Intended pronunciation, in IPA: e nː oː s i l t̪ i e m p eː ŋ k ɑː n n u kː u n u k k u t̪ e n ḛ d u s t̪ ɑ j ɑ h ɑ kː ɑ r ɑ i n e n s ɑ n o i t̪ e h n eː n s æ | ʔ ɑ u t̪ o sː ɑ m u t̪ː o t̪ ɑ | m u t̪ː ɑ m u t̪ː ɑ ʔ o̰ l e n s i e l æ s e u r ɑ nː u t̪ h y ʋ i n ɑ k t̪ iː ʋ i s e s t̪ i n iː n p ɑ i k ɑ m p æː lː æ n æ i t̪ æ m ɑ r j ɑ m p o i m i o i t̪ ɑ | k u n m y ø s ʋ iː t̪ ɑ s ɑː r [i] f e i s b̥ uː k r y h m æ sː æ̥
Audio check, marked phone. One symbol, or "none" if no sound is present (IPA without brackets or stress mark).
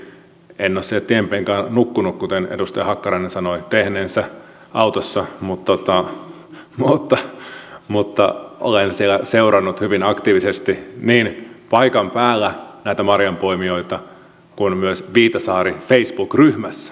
i